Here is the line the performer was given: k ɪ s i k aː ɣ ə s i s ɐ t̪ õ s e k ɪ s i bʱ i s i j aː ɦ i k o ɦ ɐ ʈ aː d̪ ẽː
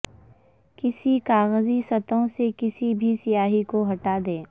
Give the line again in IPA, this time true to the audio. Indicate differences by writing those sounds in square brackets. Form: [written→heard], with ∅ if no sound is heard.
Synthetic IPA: k ɪ s i k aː ɣ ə [s→z] i s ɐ t̪ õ s e k ɪ s i bʱ i s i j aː ɦ i k o ɦ ɐ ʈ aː d̪ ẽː